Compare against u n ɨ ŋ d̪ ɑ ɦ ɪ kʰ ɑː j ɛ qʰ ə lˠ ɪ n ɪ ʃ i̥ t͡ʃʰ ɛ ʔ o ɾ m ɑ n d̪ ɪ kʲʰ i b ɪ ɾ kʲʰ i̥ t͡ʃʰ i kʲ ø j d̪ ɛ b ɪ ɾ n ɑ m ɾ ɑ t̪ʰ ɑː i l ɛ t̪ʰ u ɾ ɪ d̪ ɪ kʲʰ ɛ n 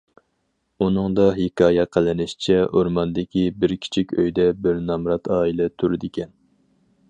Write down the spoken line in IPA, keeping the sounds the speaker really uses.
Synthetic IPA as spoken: u n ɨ ŋ d̪ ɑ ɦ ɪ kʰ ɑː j ɛ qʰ ə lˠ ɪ n ɪ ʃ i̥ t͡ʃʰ ɛ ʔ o ɾ m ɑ n d̪ ɪ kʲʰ i b ɪ ɾ kʲʰ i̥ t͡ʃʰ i kʲ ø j d̪ ɛ b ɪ ɾ n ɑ m ɾ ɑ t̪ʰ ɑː i l ɛ t̪ʰ u ɾ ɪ d̪ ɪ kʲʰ ɛ n